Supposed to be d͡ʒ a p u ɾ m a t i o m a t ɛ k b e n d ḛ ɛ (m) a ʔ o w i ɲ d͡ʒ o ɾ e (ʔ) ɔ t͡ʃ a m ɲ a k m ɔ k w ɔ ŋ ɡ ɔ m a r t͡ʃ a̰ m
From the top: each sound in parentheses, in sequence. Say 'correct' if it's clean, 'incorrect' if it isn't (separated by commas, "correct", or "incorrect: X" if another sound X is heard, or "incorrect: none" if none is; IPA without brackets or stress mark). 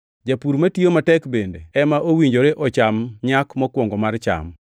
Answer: correct, correct